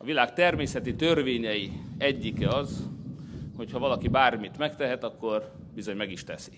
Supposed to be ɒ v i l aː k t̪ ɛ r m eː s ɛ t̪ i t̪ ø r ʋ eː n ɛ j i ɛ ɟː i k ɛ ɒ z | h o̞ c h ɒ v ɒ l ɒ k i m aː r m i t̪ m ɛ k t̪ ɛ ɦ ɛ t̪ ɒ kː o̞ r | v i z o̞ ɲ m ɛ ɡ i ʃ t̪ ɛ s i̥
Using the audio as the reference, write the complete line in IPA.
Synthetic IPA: ɒ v i l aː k t̪ ɛ r m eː s ɛ t̪ i t̪ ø r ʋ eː ɲ ɛ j i ɛ ɟː i k ɛ ɒ z | h o̞ c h ɒ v ɒ l ɒ k i b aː r m i t̪ m ɛ k t̪ ɛ ɦ ɛ t̪ ɒ kː o̞ r | b i z o̞ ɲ m ɛ ɡ i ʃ t̪ ɛ s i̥